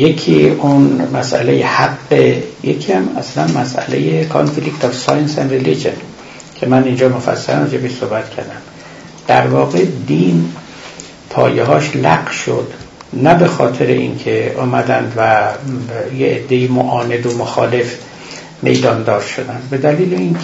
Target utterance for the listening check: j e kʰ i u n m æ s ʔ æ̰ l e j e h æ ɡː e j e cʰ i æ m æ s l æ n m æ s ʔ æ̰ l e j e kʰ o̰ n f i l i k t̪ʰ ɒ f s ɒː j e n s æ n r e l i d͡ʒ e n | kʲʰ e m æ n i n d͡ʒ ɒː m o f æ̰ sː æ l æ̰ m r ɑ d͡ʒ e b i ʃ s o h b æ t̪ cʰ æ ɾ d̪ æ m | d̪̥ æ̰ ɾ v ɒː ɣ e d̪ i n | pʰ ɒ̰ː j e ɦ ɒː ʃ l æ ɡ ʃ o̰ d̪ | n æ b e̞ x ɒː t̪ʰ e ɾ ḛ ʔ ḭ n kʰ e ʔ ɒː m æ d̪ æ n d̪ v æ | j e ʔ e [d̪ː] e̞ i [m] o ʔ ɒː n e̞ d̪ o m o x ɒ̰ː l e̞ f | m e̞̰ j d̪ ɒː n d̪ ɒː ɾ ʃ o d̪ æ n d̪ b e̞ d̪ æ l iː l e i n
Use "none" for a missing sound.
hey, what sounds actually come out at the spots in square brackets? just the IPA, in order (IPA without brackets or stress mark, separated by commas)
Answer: d̪ː, m